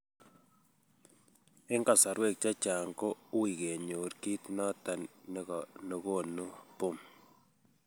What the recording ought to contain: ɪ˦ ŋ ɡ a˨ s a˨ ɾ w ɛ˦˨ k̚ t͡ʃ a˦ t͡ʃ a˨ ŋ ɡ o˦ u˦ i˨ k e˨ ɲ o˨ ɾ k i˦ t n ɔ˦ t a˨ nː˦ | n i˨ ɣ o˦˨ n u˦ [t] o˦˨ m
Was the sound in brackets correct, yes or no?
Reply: no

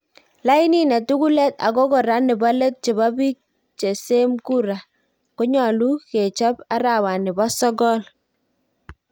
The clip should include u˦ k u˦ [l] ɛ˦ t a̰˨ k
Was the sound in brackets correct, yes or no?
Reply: yes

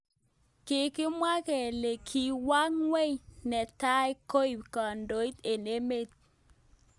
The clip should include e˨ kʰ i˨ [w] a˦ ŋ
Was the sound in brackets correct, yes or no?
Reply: yes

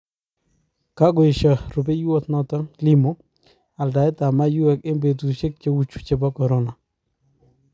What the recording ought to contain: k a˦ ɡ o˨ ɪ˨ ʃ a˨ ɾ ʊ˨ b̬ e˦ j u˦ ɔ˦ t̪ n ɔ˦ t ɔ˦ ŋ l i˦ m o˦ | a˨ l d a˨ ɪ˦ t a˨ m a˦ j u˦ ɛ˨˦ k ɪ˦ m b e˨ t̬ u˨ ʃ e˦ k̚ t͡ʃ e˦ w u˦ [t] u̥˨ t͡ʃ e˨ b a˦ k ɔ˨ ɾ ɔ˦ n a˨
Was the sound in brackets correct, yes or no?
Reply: no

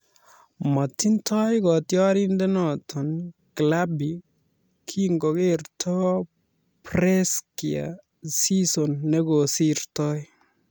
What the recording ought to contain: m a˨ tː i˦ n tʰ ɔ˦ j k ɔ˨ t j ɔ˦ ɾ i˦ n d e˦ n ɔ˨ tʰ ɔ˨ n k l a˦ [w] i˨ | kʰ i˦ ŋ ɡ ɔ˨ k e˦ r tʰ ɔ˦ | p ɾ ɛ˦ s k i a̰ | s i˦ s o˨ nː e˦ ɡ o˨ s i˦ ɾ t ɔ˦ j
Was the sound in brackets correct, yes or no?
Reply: no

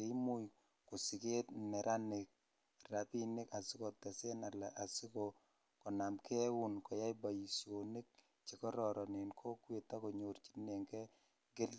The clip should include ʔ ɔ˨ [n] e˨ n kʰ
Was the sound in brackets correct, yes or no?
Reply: yes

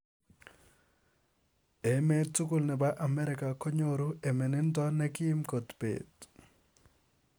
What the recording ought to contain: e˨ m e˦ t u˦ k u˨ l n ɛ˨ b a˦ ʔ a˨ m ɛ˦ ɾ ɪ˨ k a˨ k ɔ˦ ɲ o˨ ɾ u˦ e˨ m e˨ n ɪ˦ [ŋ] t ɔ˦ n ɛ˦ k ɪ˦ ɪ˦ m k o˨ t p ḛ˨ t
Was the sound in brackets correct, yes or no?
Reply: no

